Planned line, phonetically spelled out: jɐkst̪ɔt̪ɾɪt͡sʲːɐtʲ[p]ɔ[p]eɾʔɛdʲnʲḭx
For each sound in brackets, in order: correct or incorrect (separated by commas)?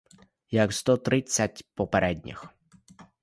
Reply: correct, correct